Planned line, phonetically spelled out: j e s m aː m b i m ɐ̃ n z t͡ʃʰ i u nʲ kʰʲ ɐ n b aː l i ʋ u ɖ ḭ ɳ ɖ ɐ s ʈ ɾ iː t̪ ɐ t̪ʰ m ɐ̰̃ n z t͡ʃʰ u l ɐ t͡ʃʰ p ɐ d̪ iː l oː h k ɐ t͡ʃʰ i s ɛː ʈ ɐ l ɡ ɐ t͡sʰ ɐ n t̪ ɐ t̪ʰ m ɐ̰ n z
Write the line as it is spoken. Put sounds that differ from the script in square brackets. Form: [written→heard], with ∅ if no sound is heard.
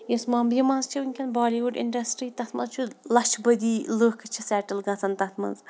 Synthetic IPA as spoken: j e s m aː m b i m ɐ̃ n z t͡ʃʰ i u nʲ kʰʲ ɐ n b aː l i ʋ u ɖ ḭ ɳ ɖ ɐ s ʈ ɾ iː t̪ ɐ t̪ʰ m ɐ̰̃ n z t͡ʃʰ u l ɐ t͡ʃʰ [p→b] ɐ d̪ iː l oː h k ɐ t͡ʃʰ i s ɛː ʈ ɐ l ɡ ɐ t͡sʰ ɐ n t̪ ɐ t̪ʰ m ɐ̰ n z